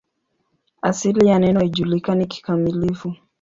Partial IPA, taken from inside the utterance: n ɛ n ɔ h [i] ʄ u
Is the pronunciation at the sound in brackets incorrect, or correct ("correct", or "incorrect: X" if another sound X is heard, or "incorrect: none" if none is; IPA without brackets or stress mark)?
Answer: correct